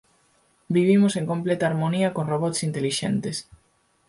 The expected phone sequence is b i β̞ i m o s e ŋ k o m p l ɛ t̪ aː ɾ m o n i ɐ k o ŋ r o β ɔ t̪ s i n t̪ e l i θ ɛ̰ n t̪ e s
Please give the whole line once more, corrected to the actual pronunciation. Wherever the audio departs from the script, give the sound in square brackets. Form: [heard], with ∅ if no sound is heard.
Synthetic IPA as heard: b i β̞ i m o s e ŋ k o m p l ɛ t̪ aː ɾ m o n i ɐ k o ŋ r o β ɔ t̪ s i n t̪ e l i [ʃ] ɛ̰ n t̪ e s